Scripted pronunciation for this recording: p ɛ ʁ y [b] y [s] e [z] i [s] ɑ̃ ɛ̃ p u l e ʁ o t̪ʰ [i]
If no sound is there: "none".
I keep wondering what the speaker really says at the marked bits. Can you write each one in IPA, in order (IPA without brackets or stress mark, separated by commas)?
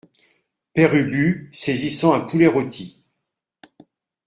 b, s, z, s, i